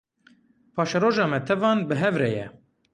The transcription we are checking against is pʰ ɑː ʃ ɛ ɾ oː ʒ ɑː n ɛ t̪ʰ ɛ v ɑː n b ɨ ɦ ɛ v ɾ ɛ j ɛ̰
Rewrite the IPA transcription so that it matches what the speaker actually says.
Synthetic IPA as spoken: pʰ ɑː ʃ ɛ ɾ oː ʒ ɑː m ɛ t̪ʰ ɛ v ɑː n b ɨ ɦ ɛ v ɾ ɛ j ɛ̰